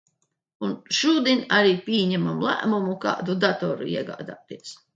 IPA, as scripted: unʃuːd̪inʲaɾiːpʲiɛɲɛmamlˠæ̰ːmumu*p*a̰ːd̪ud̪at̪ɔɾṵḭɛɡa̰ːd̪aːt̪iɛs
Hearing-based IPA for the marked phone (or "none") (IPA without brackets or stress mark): k